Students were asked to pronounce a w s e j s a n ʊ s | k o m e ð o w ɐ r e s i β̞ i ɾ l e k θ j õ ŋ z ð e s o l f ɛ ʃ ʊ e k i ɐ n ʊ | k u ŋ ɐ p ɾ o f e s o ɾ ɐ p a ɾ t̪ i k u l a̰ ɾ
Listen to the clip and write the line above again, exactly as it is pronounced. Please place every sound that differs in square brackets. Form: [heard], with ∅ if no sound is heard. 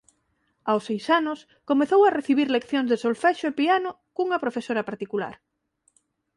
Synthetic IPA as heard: a w s e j s a n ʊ s | k o m e [θ] o w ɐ r e [θ] i β̞ i ɾ l e k θ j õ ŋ z ð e s o l f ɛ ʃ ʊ e [p] i [a] n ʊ | k u ŋ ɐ p ɾ o f e s o ɾ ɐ p a ɾ t̪ i k u l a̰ ɾ

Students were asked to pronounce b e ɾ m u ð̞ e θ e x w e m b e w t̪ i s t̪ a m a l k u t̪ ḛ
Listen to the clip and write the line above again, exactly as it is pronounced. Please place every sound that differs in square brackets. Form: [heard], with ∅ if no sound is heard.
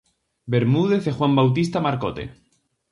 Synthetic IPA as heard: b e ɾ m u ð̞ e θ e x w [a] m b [a] w t̪ i s t̪ a m a [ɾ] k [o] t̪ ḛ

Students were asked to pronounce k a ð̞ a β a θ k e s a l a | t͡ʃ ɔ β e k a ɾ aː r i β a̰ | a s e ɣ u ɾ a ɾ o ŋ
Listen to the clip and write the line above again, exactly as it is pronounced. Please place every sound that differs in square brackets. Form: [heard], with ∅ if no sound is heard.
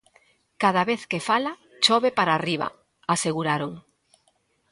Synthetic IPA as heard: k a ð̞ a β [e] θ k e [f] a l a | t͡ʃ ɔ β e [p] a ɾ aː r i β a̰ | a s e ɣ u ɾ a ɾ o ŋ

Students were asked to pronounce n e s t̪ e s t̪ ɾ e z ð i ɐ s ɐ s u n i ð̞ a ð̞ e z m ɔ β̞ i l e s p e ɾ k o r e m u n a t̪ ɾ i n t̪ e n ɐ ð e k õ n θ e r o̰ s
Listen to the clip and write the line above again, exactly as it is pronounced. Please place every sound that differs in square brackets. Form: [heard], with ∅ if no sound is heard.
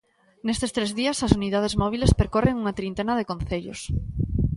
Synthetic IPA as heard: n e s t̪ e s t̪ ɾ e z ð i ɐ s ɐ s u n i ð̞ a ð̞ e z m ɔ β̞ i l e s p e ɾ k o r e [ŋ] u [ŋ] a t̪ ɾ i n t̪ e n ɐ ð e k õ n θ e [ʎ] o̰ s

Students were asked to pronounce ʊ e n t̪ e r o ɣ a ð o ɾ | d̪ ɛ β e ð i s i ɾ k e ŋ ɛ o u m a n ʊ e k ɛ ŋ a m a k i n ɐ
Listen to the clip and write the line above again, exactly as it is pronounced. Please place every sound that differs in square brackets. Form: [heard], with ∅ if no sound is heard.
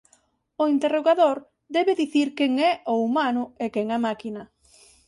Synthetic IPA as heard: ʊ [i] n t̪ e r o ɣ a ð o ɾ | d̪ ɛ β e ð i [θ] i ɾ k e ŋ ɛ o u m a n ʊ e k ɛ ŋ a m a k i n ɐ

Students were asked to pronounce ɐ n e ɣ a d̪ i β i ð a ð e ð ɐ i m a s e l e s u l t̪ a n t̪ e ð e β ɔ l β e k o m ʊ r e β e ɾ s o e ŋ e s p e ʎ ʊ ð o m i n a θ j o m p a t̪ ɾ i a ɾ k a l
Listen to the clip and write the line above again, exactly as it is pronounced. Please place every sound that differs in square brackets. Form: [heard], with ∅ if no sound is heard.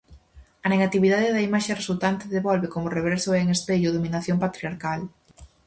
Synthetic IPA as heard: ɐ n e ɣ a [t̪] i β i ð a ð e ð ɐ i m a [ʃ] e [r] e s u l t̪ a n t̪ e ð e β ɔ l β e k o m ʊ r e β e ɾ s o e ŋ e s p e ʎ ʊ ð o m i n a θ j o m p a t̪ ɾ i a ɾ k a l

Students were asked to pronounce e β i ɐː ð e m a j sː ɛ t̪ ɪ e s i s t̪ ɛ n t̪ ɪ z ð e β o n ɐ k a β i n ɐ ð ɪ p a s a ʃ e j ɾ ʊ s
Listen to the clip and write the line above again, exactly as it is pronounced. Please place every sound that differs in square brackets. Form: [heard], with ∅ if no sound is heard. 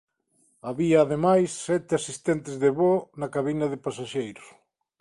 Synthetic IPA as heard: [a] β i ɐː ð e m a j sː ɛ t̪ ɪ [a] s i s t̪ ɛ n t̪ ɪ z ð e β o n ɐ k a β i n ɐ ð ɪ p a s a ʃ e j ɾ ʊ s

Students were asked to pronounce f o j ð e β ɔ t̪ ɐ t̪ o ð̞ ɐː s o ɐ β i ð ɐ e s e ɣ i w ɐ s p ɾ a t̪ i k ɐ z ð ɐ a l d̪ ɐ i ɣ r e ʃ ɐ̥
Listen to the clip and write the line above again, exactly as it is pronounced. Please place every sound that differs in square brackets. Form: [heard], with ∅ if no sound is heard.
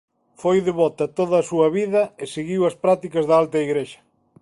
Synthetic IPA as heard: f o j ð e β ɔ t̪ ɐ t̪ o ð̞ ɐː s [u] ɐ β i ð ɐ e s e ɣ i w ɐ s p ɾ a t̪ i k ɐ z ð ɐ a l [t̪] ɐ i ɣ [ɾ] e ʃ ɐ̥

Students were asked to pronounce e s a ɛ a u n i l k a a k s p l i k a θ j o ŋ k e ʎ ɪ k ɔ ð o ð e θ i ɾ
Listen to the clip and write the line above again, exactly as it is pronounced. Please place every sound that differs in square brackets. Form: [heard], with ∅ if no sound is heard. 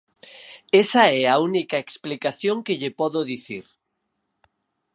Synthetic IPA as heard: e s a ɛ a u n i [∅] k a [e] k s p l i k a θ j o ŋ k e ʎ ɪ [p] ɔ ð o ð [i] θ i ɾ

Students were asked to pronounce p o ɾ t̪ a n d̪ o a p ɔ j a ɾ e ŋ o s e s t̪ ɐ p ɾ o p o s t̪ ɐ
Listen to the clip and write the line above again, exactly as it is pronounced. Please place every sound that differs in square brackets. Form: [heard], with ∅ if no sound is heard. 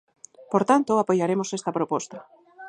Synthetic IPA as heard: p o ɾ t̪ a n [t̪] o a p [o] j a ɾ e [m] o s e s t̪ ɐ p ɾ o p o s t̪ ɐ

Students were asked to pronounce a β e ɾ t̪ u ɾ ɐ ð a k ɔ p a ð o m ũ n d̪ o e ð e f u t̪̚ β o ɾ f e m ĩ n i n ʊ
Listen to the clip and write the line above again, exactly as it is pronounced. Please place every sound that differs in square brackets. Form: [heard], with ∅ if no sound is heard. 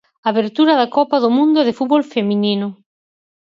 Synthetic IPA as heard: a β e ɾ t̪ u ɾ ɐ ð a k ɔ p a ð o m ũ n d̪ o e ð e f u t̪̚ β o [l] f e m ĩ n i n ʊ

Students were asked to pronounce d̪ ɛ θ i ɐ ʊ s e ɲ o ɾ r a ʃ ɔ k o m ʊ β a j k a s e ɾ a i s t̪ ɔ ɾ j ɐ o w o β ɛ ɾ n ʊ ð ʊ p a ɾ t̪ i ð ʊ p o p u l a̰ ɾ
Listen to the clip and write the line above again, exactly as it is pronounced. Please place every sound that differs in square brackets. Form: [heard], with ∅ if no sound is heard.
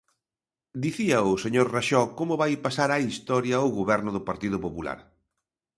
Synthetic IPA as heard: d̪ [i] θ i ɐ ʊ s e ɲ o ɾ r a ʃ ɔ k o m ʊ β a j [p] a s [a] ɾ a i s t̪ ɔ ɾ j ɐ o [ɣ] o β ɛ ɾ n ʊ ð ʊ p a ɾ t̪ i ð ʊ p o p u l a̰ ɾ

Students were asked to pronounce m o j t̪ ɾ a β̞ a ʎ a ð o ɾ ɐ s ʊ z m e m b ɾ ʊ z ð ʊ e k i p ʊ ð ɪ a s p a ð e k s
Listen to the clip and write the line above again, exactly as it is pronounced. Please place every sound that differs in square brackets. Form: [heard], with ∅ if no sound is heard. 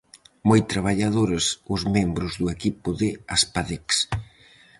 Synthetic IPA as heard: m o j t̪ ɾ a β̞ a ʎ a ð o ɾ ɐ s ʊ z m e m b ɾ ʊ z ð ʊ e k i p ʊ ð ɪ a s p a ð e k s

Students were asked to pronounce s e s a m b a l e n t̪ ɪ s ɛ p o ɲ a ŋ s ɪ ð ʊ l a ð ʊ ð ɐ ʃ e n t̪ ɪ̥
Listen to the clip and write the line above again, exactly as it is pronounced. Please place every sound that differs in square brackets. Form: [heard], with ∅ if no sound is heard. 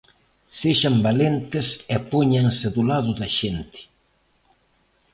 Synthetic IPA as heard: s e [ʃ] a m b a l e n t̪ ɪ s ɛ p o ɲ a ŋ s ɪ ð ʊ l a ð ʊ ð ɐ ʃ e n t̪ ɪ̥

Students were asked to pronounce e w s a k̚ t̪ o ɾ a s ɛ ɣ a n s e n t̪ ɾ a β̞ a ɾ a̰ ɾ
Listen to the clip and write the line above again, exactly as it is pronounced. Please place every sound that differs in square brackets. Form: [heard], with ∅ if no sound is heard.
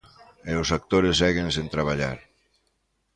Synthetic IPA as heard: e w s a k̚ t̪ o ɾ [e] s ɛ ɣ [e] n s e n t̪ ɾ a β̞ a [ʎ] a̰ ɾ

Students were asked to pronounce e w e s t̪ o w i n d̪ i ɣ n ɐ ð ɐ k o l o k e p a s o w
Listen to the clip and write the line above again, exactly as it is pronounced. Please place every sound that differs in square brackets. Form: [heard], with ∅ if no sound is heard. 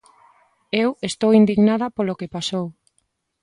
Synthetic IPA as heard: e w e s t̪ o w i n d̪ i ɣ n [a] ð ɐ [p] o l o k e p a s o w

